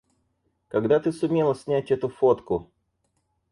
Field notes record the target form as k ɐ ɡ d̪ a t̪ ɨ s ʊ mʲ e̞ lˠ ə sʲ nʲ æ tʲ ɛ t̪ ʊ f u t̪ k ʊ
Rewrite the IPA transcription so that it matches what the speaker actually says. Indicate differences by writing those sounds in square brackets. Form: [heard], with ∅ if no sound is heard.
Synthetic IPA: k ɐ ɡ d̪ a t̪ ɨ s ʊ mʲ e̞ lˠ ə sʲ nʲ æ tʲ ɛ t̪ ʊ f [o] t̪ k ʊ